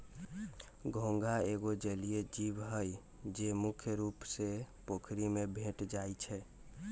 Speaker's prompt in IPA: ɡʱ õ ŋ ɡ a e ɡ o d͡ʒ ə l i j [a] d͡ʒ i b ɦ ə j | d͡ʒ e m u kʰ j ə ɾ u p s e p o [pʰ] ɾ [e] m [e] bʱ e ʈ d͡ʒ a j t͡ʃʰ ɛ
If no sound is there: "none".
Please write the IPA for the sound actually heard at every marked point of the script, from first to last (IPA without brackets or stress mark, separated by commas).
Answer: e, kʰ, i, e